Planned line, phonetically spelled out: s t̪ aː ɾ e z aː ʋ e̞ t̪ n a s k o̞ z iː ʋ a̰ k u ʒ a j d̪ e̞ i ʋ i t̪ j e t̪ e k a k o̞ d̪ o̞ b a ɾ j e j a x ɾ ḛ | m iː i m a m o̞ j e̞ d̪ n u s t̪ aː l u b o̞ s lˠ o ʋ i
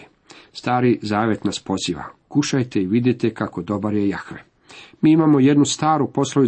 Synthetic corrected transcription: s t̪ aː ɾ i z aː ʋ e̞ t̪ n a s p o̞ z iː ʋ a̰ k u ʃ a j t̪ e̞ i ʋ i d̪ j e t̪ e k a k o̞ d̪ o̞ b a ɾ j e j a x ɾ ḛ | m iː i m a m o̞ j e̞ d̪ n u s t̪ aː ɾ u p o̞ s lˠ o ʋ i